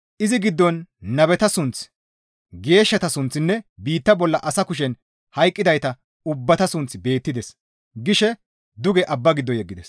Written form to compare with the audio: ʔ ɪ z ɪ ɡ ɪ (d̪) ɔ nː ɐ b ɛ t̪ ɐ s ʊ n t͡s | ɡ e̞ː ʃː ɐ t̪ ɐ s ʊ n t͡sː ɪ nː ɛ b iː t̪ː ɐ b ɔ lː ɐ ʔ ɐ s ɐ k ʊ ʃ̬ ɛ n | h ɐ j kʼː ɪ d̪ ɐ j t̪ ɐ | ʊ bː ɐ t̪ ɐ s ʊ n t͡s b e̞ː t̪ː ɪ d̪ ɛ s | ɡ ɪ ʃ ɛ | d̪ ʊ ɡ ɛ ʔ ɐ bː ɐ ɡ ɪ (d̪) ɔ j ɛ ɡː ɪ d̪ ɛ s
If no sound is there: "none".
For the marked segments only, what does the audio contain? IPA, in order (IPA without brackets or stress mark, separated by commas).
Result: d̪ː, d̪ː